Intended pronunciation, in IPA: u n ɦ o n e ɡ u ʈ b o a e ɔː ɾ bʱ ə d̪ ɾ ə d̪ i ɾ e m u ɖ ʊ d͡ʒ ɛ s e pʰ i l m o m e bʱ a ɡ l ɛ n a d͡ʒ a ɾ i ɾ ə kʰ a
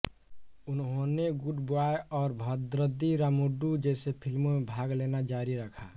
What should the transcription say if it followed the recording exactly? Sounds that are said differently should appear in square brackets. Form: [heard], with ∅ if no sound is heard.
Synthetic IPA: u n ɦ o n e ɡ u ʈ b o a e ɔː ɾ bʱ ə d̪ ɾ ə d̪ i ɾ [a] m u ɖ [u] d͡ʒ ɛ s e pʰ i l m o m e bʱ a ɡ l [e] n a d͡ʒ a ɾ i ɾ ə kʰ a

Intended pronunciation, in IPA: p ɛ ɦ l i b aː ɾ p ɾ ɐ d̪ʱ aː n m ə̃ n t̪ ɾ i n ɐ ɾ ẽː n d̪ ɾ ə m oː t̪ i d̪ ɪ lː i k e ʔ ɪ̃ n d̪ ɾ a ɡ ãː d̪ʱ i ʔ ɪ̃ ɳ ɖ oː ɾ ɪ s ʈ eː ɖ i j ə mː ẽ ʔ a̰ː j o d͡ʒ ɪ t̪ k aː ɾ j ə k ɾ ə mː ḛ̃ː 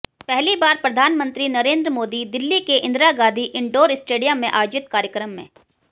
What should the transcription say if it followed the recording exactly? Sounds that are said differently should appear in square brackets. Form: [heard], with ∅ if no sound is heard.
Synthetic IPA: p ɛ ɦ l i b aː ɾ p ɾ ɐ d̪ʱ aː n m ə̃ n t̪ ɾ i n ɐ ɾ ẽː n d̪ ɾ ə m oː [d̪] i d̪ ɪ lː i k e ʔ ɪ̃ n d̪ ɾ a ɡ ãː d̪ʱ i ʔ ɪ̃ ɳ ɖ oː ɾ ɪ s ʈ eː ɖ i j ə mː ẽ ʔ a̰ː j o d͡ʒ ɪ t̪ k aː ɾ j ə k ɾ ə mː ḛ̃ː

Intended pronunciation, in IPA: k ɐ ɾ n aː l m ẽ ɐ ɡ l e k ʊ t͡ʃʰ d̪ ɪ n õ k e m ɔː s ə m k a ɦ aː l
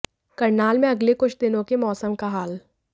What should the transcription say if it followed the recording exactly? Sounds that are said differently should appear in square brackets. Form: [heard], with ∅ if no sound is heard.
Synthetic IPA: k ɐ ɾ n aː l m ẽ ɐ ɡ l e k ʊ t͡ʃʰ d̪ ɪ n õ k e m ɔː s ə m k a ɦ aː l

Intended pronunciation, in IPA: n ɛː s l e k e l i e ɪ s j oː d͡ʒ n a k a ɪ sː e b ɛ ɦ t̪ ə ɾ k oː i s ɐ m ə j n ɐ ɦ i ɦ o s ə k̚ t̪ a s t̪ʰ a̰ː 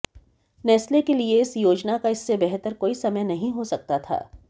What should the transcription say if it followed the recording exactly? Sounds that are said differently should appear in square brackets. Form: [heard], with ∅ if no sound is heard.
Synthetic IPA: n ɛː s l e k e l i e ɪ s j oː d͡ʒ n a k a ɪ sː e b ɛ ɦ t̪ ə ɾ k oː i s ɐ m ə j n ɐ ɦ [ĩ] ɦ o s [ɐ] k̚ t̪ a [∅] t̪ʰ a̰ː

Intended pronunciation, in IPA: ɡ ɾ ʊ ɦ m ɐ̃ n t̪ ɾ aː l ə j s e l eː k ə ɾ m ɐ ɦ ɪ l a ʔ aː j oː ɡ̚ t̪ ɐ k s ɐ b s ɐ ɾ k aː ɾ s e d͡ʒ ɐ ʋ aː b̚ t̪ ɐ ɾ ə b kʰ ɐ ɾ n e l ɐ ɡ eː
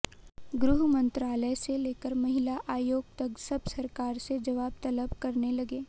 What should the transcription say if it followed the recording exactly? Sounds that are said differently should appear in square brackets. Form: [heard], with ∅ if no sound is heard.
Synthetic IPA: ɡ ɾ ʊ ɦ m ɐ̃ n t̪ ɾ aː l ə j s e l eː k ə ɾ m ɐ ɦ ɪ l a ʔ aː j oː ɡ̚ t̪ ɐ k s ɐ b s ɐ ɾ k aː ɾ s e d͡ʒ ɐ ʋ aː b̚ t̪ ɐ [l] ə b [k] ɐ ɾ n e l ɐ ɡ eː

